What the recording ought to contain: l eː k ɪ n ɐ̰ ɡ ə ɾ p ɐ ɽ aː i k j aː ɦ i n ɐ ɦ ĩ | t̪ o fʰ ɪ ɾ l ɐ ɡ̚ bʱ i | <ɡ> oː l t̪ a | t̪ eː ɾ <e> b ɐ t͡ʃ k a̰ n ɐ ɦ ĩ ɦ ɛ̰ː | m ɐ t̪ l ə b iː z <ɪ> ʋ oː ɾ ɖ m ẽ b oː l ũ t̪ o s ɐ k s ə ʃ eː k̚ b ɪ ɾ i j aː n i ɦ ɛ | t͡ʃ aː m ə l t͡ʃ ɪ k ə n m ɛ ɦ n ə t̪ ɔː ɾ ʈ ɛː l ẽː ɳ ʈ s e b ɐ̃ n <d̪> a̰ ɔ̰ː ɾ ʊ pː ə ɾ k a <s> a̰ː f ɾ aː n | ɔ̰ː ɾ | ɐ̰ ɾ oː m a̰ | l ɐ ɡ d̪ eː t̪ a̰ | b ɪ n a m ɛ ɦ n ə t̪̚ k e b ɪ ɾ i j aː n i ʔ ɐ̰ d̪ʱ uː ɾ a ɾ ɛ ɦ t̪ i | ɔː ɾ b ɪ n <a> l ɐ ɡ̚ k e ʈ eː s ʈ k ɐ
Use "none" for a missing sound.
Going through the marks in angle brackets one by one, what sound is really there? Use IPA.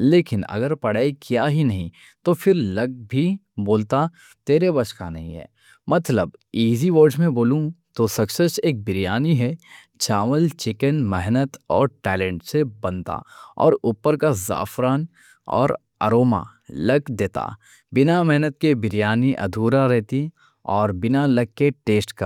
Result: b, e, i, t̪, z, a

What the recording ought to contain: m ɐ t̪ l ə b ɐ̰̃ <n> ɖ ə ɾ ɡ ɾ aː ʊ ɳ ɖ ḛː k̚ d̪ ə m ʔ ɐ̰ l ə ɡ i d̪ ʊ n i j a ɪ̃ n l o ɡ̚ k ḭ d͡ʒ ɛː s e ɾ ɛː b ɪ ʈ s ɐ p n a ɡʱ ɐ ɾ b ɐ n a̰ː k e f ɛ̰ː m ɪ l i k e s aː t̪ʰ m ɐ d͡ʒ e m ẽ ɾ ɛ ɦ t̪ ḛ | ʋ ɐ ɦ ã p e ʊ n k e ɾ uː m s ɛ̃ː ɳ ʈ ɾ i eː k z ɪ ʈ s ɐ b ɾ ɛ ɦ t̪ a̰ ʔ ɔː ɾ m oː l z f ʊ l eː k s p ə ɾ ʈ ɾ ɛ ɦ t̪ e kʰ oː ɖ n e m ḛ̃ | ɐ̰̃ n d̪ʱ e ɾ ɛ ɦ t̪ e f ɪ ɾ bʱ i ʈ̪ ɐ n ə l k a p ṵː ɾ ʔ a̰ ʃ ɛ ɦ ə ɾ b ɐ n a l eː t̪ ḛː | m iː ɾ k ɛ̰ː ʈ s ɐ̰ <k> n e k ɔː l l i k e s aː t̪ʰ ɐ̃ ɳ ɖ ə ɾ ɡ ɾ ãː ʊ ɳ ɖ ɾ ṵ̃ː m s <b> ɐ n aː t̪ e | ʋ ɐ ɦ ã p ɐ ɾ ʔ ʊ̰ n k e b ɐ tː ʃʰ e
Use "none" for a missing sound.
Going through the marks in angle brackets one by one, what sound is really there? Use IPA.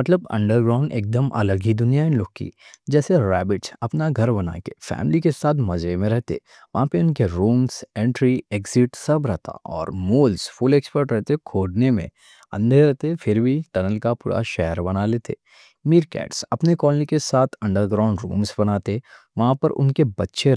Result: ɳ, p, b

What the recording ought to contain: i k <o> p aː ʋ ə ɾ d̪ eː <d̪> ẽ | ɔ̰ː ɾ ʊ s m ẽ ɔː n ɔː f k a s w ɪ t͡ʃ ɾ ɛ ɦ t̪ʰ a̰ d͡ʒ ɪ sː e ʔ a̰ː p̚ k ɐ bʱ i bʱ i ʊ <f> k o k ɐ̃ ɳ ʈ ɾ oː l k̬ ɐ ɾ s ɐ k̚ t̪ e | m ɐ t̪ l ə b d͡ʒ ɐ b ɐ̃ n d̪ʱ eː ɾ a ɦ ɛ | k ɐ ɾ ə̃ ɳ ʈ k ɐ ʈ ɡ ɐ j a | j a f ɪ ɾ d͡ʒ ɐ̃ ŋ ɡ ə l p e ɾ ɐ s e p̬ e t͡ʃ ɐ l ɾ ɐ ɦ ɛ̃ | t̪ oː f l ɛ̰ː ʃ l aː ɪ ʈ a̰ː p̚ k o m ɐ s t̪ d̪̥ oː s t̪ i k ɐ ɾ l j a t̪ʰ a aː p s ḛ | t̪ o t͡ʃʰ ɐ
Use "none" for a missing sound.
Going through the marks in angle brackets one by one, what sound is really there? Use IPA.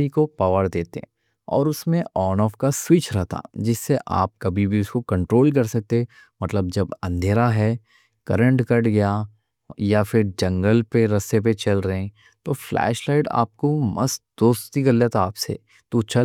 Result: o, t̪, s

